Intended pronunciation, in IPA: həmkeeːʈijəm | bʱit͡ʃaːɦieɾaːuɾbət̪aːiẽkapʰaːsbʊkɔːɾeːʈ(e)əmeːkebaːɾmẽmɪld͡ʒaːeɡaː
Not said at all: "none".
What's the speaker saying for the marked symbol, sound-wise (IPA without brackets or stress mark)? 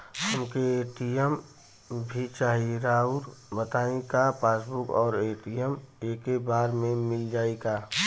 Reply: i